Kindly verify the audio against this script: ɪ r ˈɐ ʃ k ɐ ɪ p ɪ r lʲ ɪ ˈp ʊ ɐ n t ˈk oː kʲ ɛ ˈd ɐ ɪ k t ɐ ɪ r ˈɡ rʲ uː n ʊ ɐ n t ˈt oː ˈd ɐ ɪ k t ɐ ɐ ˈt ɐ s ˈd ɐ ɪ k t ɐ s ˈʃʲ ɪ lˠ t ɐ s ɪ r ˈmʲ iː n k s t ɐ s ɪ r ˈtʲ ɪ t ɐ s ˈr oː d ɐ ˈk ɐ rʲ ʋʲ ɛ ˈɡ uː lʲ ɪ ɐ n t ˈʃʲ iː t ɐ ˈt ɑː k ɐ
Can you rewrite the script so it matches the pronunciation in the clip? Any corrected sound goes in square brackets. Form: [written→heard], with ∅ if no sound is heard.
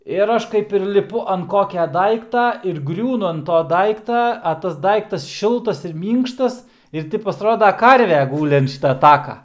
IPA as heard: ɪ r ˈɐ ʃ k ɐ ɪ p ɪ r lʲ ɪ ˈp ʊ ɐ n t ˈk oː kʲ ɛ ˈd ɐ ɪ k t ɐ ɪ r ˈɡ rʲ uː n ʊ ɐ n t ˈt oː ˈd ɐ ɪ k t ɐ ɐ ˈt ɐ s ˈd ɐ ɪ k t ɐ s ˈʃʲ ɪ lˠ t ɐ s ɪ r ˈmʲ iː [n→ŋ] k [s→ʃ] t ɐ s ɪ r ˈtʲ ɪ [t→p] ɐ s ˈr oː d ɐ ˈk ɐ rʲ ʋʲ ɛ ˈɡ uː lʲ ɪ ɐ n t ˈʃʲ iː t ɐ ˈt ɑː k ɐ